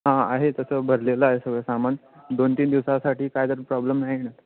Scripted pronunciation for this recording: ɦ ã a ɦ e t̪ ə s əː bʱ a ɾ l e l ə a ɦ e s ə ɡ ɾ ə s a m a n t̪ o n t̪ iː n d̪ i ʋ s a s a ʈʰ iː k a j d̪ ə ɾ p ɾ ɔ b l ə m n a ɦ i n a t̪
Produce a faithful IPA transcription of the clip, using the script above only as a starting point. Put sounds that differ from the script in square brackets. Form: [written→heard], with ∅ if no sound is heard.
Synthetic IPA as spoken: ɦ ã a ɦ e t̪ ə s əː bʱ [a→ə] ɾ l e l ə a ɦ e s ə ɡ [ɾ→ɭ] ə s a m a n [t̪→d̪] o n t̪ iː n d̪ i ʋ s a s a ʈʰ iː k a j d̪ ə ɾ p ɾ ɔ b l ə m n a ɦ i n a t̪